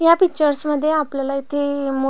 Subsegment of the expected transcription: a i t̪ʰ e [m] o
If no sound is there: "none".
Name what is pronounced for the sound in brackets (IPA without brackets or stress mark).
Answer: m